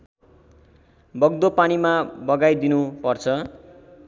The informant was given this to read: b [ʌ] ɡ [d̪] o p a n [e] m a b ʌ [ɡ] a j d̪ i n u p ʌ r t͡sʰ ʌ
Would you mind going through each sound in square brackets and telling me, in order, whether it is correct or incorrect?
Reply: correct, correct, incorrect, correct

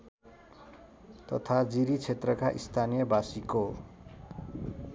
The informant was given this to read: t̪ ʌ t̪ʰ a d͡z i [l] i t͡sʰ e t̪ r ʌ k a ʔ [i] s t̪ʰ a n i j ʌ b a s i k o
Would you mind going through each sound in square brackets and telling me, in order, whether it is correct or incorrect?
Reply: incorrect, correct

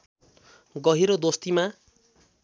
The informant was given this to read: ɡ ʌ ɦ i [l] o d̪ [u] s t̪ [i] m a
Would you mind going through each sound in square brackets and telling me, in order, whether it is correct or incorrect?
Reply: incorrect, incorrect, correct

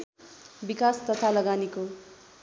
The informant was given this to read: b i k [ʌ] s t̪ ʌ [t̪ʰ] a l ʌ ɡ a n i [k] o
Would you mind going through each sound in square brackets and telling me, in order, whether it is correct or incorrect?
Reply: incorrect, correct, correct

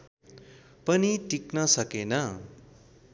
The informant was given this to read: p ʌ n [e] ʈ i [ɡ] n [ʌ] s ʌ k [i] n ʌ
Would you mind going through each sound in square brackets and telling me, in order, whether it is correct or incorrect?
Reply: incorrect, incorrect, correct, incorrect

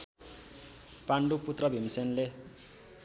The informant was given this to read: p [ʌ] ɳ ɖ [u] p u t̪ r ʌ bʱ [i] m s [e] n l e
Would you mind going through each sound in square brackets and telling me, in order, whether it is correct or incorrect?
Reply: incorrect, correct, correct, correct

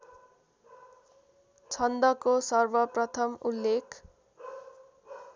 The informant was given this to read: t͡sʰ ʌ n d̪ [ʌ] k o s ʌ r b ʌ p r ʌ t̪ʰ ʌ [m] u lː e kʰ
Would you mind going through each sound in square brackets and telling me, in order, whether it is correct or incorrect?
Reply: correct, correct

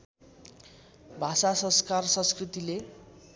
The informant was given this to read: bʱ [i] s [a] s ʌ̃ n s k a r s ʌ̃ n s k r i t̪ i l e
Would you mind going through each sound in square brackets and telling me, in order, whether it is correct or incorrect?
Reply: incorrect, correct

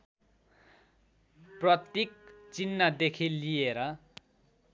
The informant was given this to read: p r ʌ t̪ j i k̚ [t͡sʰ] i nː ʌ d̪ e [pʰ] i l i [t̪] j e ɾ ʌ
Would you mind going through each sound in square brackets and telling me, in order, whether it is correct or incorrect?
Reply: incorrect, incorrect, incorrect

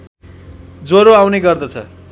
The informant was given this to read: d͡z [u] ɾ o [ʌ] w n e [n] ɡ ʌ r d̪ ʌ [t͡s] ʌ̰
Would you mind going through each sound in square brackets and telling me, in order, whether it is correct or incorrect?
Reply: incorrect, incorrect, incorrect, incorrect

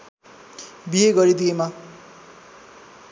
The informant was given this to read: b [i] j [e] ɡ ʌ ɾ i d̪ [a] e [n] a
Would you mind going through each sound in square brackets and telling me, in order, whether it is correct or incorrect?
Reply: correct, correct, incorrect, incorrect

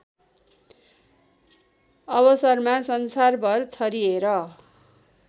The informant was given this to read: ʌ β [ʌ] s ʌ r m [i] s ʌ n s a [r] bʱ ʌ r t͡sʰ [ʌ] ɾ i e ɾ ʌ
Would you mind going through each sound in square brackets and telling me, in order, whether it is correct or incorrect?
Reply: correct, incorrect, correct, correct

